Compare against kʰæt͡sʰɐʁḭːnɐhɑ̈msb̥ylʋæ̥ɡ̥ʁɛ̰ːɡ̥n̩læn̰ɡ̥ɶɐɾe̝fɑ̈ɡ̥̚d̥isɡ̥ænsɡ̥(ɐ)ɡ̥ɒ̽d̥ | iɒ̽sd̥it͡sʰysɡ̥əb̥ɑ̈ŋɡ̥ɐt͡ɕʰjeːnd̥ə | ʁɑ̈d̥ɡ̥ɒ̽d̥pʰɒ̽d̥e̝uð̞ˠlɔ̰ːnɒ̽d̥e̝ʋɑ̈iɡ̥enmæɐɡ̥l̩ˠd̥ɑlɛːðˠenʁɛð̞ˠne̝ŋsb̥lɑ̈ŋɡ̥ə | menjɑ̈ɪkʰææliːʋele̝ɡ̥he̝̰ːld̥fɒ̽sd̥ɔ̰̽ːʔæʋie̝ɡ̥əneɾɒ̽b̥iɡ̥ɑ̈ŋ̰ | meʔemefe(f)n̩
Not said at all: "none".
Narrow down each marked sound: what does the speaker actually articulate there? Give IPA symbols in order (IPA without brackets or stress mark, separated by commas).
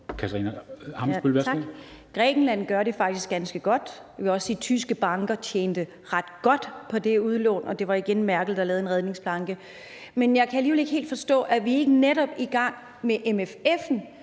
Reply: ə, f